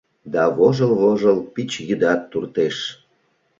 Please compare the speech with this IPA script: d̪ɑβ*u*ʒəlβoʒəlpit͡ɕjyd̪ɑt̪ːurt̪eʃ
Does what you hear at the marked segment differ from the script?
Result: yes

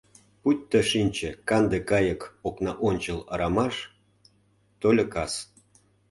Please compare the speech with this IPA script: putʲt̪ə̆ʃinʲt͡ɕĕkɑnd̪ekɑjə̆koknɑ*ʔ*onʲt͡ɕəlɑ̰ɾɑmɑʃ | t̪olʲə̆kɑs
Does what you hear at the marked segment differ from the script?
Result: no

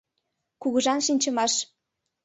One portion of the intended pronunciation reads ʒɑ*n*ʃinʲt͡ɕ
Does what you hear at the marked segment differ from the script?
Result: no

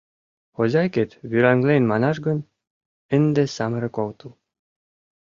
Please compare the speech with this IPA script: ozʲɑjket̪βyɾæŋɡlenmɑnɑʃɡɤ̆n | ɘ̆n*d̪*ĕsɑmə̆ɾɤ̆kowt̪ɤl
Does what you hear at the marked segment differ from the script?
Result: no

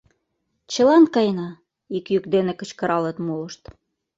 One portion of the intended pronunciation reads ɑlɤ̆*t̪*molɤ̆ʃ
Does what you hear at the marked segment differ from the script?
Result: no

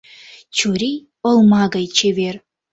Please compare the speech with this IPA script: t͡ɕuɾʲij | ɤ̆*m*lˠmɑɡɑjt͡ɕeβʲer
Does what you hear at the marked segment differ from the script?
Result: yes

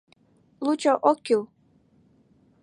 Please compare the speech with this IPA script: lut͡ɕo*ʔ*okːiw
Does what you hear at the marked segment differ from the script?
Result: no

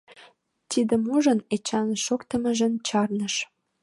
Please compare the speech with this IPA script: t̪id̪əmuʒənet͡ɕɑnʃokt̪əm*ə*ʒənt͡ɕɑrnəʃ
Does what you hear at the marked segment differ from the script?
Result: no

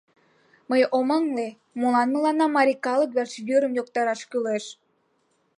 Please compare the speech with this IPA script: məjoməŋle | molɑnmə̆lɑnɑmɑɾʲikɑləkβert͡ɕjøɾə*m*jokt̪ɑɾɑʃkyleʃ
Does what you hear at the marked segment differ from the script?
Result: no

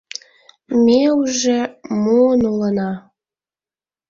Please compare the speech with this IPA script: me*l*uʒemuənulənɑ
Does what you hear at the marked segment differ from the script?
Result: yes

